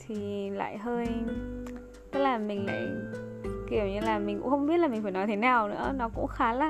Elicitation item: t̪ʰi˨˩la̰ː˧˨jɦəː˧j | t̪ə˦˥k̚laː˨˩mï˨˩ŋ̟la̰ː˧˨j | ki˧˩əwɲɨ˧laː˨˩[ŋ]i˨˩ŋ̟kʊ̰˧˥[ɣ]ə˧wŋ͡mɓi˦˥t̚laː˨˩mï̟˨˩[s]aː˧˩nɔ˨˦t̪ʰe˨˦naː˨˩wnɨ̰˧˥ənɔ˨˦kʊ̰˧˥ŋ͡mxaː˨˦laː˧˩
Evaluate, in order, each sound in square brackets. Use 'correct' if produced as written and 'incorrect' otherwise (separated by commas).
incorrect, incorrect, incorrect